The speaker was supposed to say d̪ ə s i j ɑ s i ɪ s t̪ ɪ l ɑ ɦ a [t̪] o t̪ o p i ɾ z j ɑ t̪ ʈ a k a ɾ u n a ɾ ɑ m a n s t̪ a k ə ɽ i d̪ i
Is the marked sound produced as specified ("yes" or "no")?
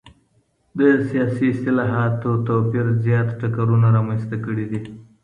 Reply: yes